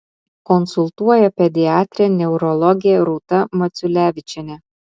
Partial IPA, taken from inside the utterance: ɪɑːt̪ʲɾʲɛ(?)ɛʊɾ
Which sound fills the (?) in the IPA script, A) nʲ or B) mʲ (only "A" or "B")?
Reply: A